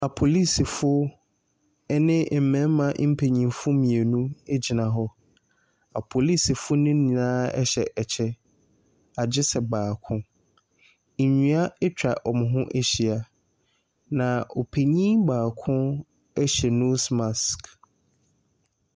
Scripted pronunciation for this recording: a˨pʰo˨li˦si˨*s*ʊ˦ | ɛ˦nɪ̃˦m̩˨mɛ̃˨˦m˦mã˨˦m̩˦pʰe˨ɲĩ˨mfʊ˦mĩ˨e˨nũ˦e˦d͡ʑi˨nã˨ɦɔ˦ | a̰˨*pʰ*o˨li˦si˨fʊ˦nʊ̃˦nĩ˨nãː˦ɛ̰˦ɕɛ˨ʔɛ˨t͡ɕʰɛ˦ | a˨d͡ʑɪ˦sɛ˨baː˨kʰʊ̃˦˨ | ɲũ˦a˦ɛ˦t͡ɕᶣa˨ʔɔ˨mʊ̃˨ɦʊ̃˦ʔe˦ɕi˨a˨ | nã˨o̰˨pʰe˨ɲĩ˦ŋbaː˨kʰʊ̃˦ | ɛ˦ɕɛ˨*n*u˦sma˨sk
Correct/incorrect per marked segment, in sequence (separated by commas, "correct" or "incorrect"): incorrect, correct, correct